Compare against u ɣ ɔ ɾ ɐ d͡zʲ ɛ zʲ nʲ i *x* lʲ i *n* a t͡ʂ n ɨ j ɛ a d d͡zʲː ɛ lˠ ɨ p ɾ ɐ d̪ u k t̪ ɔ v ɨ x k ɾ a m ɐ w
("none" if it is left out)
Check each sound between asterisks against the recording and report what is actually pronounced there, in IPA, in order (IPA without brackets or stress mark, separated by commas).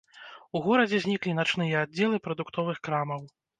k, n